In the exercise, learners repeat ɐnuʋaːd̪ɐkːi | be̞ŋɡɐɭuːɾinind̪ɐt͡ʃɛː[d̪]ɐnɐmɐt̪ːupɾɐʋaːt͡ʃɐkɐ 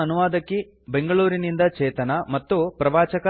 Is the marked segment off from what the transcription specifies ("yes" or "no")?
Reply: yes